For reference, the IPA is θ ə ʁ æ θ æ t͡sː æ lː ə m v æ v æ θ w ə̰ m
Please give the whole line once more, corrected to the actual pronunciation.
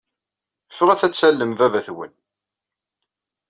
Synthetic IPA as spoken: f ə ʁ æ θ æ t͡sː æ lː ə m v æ v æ θ w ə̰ n

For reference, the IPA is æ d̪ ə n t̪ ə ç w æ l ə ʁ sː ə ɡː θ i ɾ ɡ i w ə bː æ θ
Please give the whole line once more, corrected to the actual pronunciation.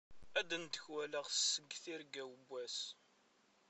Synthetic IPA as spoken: æ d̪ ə n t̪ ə ç w æ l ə ʁ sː ə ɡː θ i ɾ ɡ æ w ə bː æ s

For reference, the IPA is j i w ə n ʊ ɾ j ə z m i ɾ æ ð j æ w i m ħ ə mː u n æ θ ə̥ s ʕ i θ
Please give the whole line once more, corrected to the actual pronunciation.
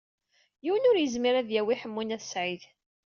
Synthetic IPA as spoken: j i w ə n ʊ ɾ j ə z m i ɾ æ ð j æ w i ħ ə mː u n æ θ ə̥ s ʕ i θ

